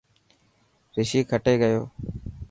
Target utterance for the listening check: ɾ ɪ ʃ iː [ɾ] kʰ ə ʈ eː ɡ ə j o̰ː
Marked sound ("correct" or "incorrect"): incorrect